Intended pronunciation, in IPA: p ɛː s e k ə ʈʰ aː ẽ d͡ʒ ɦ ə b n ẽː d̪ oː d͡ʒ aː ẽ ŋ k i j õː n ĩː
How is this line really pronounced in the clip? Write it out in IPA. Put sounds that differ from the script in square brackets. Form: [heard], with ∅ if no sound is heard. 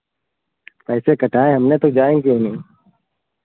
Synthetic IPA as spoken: p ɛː s e k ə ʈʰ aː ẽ [∅] ɦ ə [m] n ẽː [t̪] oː d͡ʒ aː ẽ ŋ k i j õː n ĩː